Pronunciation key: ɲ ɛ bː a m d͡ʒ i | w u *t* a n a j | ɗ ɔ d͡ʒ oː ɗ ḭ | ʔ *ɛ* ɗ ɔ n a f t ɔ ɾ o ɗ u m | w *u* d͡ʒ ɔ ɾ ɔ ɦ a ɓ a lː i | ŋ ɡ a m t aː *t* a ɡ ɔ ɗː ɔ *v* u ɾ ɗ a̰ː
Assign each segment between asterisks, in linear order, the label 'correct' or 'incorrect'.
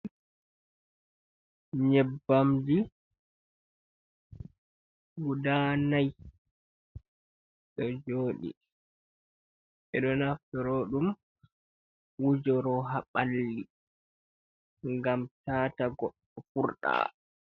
incorrect, correct, correct, correct, incorrect

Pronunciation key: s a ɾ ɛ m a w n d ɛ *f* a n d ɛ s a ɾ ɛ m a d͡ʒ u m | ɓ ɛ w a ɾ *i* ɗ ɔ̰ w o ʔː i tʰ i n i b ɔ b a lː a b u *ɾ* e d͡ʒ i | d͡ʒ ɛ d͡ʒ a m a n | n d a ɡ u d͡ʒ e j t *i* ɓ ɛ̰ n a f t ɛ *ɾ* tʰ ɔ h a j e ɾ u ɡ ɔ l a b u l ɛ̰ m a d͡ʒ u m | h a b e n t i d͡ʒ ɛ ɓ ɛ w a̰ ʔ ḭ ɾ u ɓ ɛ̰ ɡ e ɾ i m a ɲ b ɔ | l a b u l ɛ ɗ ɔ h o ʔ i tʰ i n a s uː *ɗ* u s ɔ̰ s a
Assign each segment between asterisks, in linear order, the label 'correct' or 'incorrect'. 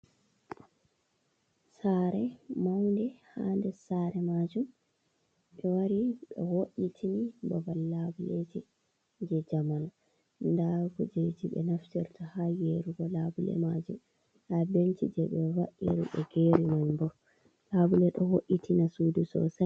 incorrect, correct, incorrect, correct, correct, incorrect

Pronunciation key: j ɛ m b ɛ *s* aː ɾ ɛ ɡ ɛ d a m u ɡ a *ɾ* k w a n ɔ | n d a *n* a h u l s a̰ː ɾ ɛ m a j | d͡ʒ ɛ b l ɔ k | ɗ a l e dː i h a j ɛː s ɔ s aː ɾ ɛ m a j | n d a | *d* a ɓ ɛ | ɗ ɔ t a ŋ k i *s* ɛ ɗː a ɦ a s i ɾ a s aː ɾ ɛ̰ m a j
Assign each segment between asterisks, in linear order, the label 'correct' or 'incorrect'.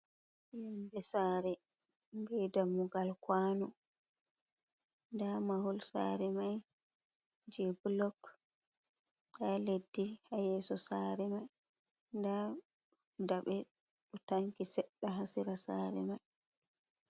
correct, incorrect, incorrect, correct, correct

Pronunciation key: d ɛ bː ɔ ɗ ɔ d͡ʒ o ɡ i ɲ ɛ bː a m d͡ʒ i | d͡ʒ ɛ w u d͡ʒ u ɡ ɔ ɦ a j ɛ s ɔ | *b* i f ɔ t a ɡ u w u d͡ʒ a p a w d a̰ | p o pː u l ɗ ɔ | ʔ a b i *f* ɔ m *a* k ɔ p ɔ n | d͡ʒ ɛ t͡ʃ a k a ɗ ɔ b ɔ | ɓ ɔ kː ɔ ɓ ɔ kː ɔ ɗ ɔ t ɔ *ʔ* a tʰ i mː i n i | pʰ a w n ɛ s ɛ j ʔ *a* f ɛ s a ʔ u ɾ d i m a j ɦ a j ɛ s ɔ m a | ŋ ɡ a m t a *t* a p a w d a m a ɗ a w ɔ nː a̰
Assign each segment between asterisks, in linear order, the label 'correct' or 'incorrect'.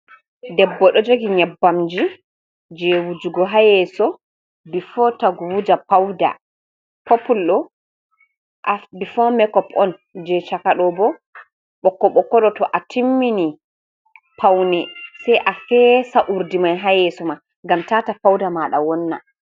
correct, correct, incorrect, correct, correct, correct

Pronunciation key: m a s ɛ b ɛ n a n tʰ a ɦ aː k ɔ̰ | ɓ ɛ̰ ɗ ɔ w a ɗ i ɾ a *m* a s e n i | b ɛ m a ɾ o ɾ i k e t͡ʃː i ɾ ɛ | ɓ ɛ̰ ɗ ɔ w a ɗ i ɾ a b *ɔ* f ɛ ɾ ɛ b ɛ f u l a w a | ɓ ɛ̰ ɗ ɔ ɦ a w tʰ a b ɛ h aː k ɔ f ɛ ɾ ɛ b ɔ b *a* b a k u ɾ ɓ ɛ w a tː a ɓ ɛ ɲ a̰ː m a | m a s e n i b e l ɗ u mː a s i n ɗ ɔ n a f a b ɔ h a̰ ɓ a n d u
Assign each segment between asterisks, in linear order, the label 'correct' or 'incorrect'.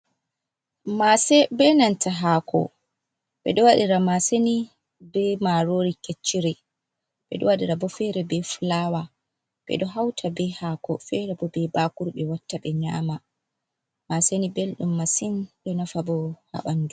correct, correct, incorrect

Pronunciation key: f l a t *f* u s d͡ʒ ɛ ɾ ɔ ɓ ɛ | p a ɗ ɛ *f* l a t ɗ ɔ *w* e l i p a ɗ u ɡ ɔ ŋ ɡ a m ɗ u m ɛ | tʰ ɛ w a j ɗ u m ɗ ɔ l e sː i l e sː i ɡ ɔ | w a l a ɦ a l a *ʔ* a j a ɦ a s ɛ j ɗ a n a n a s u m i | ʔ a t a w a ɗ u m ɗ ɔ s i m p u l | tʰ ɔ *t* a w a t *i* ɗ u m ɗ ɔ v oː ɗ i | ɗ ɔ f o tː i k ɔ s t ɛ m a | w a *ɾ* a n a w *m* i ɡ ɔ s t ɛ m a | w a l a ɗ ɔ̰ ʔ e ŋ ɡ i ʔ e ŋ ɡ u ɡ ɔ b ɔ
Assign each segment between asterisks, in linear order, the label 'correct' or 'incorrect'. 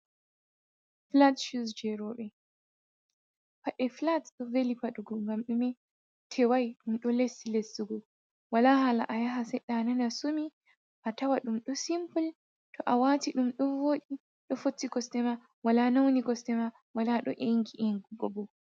incorrect, correct, incorrect, correct, incorrect, correct, incorrect, incorrect

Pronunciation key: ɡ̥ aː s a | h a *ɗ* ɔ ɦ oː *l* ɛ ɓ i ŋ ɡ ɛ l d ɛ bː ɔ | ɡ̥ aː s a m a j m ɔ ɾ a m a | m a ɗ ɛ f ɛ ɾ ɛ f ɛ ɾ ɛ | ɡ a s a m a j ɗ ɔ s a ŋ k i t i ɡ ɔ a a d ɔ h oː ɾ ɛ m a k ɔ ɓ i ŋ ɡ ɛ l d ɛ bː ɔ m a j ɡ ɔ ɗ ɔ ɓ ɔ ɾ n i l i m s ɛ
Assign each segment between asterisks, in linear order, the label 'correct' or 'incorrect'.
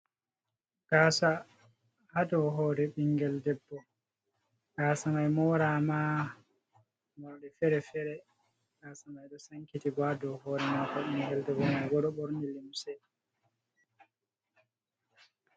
incorrect, incorrect

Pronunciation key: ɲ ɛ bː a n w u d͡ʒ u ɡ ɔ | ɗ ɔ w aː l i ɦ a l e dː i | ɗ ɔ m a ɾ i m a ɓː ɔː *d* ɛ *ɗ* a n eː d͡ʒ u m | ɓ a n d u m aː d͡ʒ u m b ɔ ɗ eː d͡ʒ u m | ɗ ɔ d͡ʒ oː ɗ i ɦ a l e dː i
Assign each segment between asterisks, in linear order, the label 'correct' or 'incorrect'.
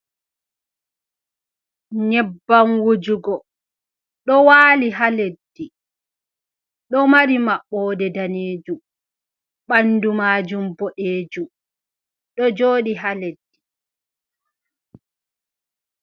correct, incorrect

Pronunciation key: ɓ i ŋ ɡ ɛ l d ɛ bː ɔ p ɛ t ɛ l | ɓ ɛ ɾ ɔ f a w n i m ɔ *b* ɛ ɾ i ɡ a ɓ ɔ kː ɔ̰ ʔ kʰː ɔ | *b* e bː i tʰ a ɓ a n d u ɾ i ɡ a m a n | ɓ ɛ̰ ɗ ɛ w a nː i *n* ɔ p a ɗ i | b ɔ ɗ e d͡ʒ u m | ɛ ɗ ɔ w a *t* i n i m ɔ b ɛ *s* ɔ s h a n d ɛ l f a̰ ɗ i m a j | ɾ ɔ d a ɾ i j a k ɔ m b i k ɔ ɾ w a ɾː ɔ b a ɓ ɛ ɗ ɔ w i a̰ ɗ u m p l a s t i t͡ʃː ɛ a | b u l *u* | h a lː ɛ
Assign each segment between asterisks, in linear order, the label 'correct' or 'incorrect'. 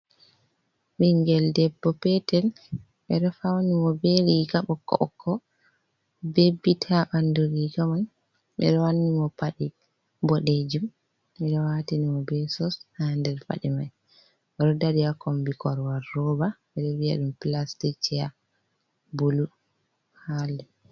correct, correct, incorrect, correct, correct, correct

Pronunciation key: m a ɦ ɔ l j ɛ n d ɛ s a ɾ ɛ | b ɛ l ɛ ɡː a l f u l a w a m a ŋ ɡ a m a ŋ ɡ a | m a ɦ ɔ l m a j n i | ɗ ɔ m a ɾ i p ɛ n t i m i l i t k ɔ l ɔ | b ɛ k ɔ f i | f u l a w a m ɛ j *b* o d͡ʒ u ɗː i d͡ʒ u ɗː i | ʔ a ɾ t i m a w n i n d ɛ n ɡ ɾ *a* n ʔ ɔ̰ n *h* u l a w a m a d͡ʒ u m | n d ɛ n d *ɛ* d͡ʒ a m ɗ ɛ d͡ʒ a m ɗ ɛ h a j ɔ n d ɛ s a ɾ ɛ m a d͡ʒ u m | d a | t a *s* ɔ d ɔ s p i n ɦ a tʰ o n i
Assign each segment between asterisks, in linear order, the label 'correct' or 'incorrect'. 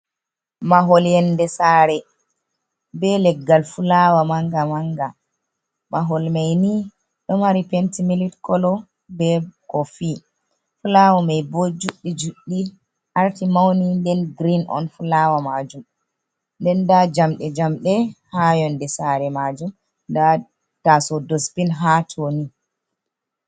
correct, incorrect, incorrect, incorrect, correct

